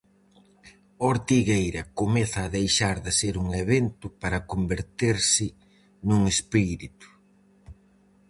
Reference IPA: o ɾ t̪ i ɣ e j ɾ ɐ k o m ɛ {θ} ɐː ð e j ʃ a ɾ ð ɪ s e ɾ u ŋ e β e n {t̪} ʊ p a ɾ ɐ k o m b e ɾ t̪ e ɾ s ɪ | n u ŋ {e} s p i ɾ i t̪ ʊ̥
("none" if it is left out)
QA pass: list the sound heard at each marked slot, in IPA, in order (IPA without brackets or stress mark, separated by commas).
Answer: θ, t̪, e